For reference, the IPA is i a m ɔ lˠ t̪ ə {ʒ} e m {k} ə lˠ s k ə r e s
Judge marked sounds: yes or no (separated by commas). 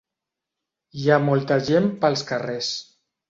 yes, no